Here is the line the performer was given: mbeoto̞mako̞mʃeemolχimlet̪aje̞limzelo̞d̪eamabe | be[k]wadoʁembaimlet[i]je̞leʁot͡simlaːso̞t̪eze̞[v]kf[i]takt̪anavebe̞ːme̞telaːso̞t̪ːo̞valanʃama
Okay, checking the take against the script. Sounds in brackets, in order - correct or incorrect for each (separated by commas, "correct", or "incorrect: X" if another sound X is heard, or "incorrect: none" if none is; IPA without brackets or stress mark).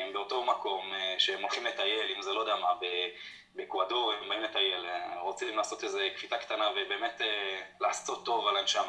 correct, incorrect: a, incorrect: none, correct